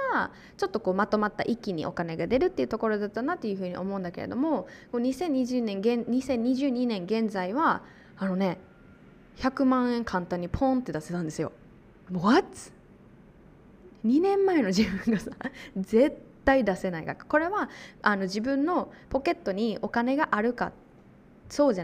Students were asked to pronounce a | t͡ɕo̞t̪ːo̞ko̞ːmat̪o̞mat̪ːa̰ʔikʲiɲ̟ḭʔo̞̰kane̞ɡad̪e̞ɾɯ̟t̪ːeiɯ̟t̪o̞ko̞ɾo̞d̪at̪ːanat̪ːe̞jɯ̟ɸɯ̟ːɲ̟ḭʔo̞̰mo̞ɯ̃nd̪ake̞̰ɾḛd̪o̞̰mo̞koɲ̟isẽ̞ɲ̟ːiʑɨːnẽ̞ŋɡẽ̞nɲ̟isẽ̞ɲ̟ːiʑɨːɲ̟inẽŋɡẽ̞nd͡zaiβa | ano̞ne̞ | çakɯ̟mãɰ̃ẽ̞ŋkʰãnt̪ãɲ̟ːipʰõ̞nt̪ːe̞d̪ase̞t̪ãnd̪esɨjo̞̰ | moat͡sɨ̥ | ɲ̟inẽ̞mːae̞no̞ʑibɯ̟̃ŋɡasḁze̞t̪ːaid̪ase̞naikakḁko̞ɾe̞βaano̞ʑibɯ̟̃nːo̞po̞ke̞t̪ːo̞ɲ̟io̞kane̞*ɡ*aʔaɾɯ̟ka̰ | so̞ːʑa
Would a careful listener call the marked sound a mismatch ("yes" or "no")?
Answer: no